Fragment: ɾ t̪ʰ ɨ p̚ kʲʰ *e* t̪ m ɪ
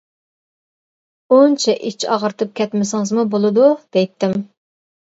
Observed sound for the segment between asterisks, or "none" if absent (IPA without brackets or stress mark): ɛ